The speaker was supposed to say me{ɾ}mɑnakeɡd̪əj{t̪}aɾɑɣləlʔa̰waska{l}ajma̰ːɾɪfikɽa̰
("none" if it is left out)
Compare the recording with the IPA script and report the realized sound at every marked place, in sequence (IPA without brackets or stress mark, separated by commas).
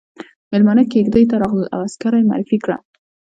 l, t̪, ɾ